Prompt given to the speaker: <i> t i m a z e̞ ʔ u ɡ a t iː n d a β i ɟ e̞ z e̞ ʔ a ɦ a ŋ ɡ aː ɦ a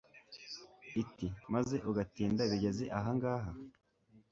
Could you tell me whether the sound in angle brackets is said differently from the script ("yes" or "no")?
no